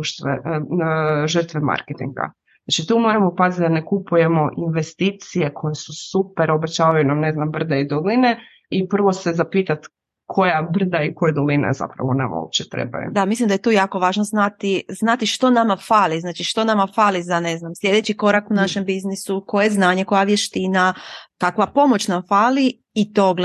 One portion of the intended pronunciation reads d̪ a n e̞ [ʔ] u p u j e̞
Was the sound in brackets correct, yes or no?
no